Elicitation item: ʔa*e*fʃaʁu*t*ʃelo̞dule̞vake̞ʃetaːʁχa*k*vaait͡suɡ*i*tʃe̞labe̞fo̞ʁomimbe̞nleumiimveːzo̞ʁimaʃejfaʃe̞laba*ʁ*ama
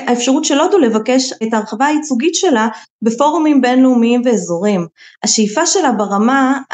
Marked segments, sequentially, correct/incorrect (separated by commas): correct, correct, incorrect, correct, correct